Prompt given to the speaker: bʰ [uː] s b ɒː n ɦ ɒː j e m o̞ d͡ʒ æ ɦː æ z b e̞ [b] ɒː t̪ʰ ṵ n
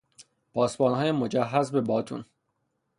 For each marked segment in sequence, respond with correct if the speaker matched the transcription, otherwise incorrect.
incorrect, correct

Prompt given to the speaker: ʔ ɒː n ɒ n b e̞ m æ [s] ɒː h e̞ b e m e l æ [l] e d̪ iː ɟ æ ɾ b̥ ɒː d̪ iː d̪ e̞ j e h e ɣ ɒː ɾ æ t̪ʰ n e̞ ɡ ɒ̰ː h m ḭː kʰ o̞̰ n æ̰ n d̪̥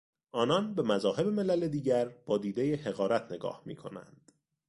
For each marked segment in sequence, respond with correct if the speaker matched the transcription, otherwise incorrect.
incorrect, correct

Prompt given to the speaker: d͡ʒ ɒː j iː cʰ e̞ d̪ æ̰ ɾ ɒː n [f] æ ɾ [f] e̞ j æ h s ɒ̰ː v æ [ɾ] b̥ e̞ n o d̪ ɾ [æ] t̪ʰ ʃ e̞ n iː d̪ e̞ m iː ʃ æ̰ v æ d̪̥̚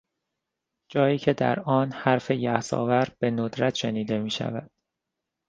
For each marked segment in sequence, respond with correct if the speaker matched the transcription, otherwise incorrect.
incorrect, correct, correct, correct

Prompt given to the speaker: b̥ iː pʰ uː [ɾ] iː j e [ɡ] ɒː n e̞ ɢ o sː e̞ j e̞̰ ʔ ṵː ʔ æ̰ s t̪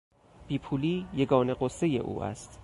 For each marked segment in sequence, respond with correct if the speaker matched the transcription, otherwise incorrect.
incorrect, correct

